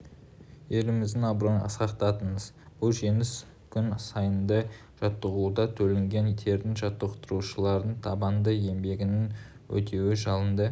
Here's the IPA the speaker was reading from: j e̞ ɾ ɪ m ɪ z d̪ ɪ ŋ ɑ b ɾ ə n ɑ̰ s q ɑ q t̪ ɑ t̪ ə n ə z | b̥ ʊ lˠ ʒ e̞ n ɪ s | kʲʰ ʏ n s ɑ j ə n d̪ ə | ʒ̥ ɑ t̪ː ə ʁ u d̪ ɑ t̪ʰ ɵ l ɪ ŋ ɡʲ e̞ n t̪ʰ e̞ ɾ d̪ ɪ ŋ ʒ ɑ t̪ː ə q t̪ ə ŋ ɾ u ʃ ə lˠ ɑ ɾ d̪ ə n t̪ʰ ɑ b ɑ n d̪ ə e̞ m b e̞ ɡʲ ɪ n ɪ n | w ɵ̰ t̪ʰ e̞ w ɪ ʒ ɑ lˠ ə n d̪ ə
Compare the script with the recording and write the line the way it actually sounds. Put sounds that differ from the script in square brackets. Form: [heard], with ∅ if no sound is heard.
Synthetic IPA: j e̞ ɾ ɪ m ɪ z d̪ ɪ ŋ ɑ b ɾ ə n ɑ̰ s q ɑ q t̪ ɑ t̪ ə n ə z | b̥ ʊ lˠ ʒ e̞ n ɪ s | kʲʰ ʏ n s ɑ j ə n d̪ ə | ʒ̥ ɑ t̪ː ə ʁ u d̪ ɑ t̪ʰ ɵ l ɪ ŋ ɡʲ e̞ n t̪ʰ e̞ ɾ d̪ ɪ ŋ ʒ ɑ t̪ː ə q t̪ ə [∅] ɾ u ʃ ə lˠ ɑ ɾ d̪ ə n t̪ʰ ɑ b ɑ n d̪ ə e̞ m b e̞ ɡʲ ɪ n ɪ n | w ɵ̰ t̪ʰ e̞ w ɪ ʒ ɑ lˠ ə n d̪ ə